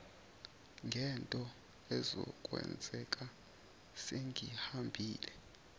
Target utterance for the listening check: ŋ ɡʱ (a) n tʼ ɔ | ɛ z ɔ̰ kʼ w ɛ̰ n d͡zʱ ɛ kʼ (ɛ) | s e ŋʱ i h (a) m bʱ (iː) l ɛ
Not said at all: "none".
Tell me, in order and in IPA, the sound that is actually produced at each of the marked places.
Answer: ɛ, a, a, iː

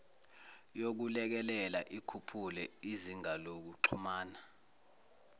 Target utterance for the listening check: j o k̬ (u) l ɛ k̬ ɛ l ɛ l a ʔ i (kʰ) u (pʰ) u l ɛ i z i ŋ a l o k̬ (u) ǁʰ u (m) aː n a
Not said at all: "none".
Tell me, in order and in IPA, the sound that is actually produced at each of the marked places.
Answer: u, kʰ, pʰ, u, m

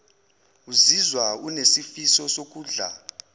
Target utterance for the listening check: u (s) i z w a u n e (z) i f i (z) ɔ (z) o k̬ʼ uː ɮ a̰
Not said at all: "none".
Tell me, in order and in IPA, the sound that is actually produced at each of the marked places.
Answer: z, s, s, s

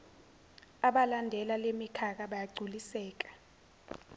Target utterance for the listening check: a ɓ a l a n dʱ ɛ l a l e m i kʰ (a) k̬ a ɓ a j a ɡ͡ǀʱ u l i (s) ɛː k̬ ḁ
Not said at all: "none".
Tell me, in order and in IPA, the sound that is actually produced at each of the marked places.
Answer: a, s

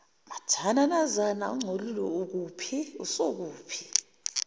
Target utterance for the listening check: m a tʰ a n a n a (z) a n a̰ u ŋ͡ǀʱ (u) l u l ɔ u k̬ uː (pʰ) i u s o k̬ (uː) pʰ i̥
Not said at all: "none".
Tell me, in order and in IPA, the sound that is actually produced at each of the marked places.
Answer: z, o, pʰ, uː

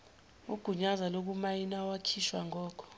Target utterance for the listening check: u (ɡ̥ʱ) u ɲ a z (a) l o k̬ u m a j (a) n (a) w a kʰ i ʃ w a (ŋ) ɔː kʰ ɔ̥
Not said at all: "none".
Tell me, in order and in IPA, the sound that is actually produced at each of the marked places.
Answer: ɡ̥ʱ, a, i, a, ŋ

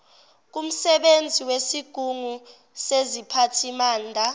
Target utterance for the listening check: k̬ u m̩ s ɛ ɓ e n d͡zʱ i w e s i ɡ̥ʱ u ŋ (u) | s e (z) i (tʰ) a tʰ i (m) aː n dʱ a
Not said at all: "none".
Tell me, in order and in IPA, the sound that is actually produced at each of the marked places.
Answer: u, z, pʰ, m

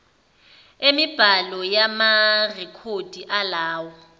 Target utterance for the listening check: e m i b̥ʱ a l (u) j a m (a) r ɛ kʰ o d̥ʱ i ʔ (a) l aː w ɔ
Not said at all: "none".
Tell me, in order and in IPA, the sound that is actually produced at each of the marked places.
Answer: ɔ, a, a

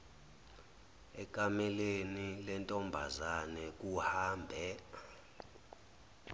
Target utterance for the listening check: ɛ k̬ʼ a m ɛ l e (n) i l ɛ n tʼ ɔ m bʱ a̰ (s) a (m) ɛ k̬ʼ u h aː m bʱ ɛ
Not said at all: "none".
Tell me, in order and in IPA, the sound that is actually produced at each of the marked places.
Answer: n, z, n

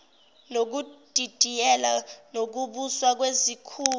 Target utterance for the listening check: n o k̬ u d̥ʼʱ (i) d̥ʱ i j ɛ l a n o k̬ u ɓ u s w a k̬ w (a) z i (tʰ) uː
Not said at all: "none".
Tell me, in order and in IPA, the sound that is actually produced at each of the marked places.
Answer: i, e, kʰ

